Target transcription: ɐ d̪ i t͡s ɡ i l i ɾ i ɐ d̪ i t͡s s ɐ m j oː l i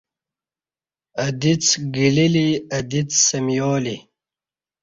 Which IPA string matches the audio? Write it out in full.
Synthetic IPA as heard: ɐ d̪ i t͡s ɡ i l i l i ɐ d̪ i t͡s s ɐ m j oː l i